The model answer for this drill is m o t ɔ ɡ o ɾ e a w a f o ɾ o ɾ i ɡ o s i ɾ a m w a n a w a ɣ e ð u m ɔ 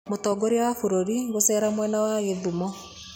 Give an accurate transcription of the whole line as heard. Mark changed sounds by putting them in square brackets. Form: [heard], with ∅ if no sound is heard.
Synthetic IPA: m o t ɔ ɡ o ɾ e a w a f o ɾ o ɾ i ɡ o s [ɛ] ɾ a m w [ɛ] n a w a ɣ e ð u m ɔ